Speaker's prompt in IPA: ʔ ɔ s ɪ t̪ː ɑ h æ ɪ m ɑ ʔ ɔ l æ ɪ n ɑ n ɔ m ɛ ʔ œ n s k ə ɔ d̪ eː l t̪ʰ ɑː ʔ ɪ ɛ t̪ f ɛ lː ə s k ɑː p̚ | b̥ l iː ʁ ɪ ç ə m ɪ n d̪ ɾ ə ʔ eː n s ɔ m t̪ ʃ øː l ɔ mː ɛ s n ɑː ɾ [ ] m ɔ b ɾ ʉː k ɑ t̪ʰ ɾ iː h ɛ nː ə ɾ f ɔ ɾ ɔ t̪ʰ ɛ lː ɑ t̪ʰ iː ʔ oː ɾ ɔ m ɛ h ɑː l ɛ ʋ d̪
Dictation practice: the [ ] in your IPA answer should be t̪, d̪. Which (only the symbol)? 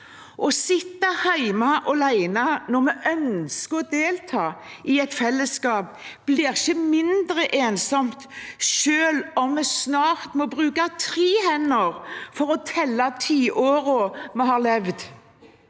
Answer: t̪